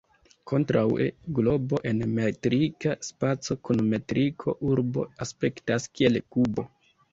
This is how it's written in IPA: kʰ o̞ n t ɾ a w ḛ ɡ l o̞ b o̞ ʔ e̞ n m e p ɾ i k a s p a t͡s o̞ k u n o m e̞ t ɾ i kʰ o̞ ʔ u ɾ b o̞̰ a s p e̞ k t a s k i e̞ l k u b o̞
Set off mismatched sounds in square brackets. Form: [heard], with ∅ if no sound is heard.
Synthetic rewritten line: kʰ o̞ n t ɾ a w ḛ ɡ l o̞ b o̞ ʔ e̞ n m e [t] ɾ i k a s p a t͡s o̞ k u n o m e̞ t ɾ i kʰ o̞ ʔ u ɾ b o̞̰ a s p e̞ k t a s k i e̞ l k u b o̞